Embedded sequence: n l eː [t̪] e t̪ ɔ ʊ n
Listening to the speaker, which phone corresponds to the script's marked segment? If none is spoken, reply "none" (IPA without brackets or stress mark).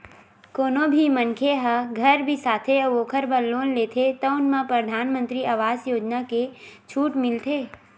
t̪ʰ